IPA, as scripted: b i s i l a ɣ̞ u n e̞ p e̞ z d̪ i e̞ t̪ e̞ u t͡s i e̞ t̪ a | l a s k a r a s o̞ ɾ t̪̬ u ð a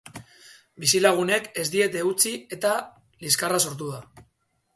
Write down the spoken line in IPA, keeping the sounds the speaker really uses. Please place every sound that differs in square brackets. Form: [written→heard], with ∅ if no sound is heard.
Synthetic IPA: b i s i l a ɣ̞ u n e̞ [p→k] e̞ z d̪ i e̞ t̪ e̞ u t͡s i e̞ t̪ a | l [a→i] s k a r a s o̞ ɾ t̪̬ u ð a